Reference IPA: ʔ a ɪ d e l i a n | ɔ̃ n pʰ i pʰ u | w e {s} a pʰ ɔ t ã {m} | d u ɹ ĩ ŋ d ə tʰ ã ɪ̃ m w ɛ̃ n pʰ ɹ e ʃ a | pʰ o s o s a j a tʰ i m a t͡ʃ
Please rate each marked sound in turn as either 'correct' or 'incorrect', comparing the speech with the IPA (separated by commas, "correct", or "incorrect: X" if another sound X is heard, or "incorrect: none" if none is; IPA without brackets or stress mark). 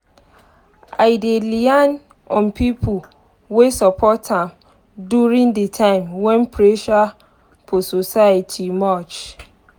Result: correct, correct